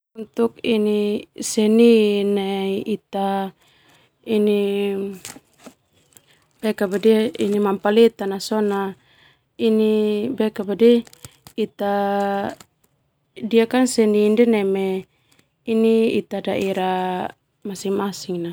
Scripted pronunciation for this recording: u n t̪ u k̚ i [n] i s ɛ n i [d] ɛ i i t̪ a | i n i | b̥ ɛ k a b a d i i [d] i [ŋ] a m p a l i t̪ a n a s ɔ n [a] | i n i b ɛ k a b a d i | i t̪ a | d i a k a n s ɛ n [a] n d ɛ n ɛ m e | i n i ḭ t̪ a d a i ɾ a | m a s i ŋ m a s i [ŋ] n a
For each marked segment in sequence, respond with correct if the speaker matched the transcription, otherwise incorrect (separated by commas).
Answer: correct, incorrect, incorrect, incorrect, correct, incorrect, correct